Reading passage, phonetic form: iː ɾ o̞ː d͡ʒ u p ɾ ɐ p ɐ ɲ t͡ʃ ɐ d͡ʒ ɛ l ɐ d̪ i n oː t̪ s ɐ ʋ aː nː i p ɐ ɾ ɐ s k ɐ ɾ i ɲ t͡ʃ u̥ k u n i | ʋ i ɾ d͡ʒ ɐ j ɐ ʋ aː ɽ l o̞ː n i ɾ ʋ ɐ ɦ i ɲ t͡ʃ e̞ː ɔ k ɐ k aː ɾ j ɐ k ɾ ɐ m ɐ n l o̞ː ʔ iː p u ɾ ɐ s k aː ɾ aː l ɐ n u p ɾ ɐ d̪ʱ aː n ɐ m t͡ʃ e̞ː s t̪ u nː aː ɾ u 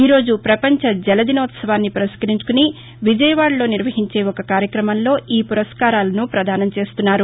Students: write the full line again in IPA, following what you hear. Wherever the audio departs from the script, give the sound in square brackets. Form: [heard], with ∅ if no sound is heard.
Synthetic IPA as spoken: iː ɾ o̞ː d͡ʒ u p ɾ ɐ p ɐ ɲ t͡ʃ ɐ d͡ʒ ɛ l ɐ d̪ i n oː t̪ s ɐ ʋ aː nː i p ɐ ɾ ɐ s k ɐ ɾ i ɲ t͡ʃ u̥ k u n i | ʋ i [∅] d͡ʒ ɐ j ɐ ʋ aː ɽ l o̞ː n i ɾ ʋ ɐ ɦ i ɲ t͡ʃ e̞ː ɔ k ɐ k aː ɾ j ɐ k ɾ ɐ m ɐ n l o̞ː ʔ iː p u ɾ ɐ s k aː ɾ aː l ɐ n u p ɾ ɐ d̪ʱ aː n ɐ m t͡ʃ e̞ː s t̪ u nː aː ɾ u